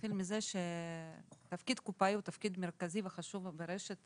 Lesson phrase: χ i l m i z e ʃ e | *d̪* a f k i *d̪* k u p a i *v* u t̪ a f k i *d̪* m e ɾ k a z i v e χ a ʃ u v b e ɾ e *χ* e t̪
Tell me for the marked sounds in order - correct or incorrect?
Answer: incorrect: t̪, correct, incorrect: none, correct, incorrect: ʃ

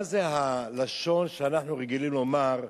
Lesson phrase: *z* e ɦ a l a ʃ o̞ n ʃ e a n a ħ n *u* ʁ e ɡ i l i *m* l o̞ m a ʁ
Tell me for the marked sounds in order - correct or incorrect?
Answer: correct, correct, correct

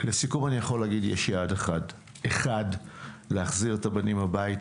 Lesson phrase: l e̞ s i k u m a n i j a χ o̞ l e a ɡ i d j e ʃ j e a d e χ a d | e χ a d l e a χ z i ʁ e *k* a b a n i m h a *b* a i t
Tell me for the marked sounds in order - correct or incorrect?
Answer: incorrect: t, correct

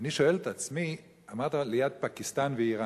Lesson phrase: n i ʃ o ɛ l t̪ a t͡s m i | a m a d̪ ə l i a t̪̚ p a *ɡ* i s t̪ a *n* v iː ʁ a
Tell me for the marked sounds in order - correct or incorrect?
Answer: incorrect: k, correct

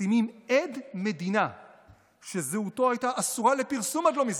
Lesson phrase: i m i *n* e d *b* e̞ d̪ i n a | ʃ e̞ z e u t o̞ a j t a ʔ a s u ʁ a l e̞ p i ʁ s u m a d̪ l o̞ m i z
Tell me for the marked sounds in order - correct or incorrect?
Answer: incorrect: m, incorrect: m

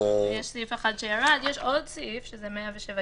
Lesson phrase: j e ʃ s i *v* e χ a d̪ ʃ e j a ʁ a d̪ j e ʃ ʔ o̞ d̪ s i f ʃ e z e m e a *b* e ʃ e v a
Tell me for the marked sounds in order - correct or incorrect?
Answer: incorrect: f, incorrect: v

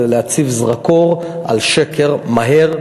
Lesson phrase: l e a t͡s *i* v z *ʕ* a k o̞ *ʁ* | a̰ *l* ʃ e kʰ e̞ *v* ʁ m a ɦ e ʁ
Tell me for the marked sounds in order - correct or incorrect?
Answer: correct, incorrect: ʁ, correct, correct, incorrect: none

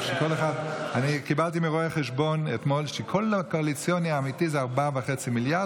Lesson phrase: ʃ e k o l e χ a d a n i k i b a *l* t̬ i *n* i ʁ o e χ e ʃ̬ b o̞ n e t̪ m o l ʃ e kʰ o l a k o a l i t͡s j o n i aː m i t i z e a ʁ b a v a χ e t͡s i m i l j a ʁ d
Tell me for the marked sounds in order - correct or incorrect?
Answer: correct, incorrect: m

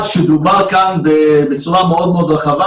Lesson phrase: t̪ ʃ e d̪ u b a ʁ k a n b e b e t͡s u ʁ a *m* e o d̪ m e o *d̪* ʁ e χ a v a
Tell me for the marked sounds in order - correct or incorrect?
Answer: correct, correct

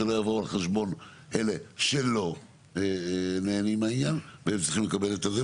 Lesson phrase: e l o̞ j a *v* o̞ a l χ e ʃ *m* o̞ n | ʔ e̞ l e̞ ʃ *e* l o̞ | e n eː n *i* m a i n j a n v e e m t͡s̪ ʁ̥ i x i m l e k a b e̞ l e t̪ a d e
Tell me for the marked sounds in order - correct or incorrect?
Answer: correct, incorrect: b, correct, correct

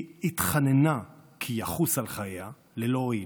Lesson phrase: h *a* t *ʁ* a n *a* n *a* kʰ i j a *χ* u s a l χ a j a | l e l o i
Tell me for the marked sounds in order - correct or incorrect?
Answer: incorrect: i, incorrect: χ, incorrect: e, correct, correct

